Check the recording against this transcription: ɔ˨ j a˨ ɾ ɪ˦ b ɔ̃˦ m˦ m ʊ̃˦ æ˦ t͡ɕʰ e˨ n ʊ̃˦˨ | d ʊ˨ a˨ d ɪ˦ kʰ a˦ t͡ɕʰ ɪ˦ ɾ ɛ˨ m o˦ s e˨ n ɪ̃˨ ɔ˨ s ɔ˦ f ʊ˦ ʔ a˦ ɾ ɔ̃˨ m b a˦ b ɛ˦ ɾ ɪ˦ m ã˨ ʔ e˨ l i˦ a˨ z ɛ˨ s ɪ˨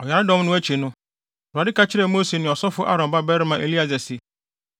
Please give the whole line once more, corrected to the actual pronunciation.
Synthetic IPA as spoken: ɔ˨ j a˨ ɾ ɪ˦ d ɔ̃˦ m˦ n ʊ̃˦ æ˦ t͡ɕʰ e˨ n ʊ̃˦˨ | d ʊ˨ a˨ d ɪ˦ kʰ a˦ t͡ɕʰ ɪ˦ ɾ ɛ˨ m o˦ s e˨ n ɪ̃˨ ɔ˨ s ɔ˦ f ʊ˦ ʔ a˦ ɾ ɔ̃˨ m b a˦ b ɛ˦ ɾ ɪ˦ m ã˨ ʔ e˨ l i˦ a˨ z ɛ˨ s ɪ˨